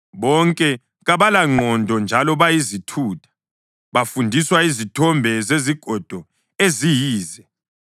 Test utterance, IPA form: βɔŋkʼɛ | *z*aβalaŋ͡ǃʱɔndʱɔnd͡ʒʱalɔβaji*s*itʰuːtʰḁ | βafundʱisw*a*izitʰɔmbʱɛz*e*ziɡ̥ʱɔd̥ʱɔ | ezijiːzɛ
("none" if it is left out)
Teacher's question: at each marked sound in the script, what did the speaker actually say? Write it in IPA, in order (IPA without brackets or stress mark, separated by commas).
ɣ, z, a, e